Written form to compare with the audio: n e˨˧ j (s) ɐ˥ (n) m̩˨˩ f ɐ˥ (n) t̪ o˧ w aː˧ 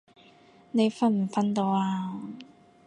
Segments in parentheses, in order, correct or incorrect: incorrect: f, correct, correct

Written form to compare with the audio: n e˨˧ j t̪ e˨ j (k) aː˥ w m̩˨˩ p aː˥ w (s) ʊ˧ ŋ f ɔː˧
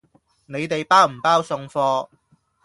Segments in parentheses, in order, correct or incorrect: incorrect: p, correct

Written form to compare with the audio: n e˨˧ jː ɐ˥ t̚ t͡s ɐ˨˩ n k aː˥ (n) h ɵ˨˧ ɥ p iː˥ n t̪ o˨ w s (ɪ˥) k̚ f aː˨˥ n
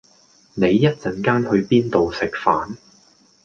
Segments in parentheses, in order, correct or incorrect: correct, incorrect: ɪ˨

